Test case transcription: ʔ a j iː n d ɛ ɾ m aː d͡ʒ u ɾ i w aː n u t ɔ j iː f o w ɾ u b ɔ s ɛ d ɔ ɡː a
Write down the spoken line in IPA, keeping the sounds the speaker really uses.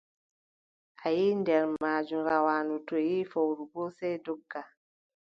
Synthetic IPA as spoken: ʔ a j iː n d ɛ ɾ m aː d͡ʒ u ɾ a w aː n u t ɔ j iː f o w ɾ u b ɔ s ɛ d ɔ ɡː a